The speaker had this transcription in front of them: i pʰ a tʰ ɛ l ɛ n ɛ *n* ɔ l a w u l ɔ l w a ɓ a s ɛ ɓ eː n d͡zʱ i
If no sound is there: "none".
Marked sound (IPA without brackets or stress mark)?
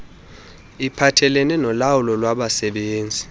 n